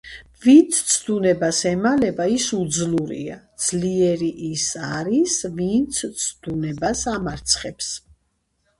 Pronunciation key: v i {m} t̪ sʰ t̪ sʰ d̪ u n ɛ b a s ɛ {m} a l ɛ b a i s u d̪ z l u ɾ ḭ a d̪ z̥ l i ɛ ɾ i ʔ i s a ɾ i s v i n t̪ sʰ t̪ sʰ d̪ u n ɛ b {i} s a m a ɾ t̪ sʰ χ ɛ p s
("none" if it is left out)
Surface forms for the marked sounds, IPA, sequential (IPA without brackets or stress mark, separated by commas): n, m, a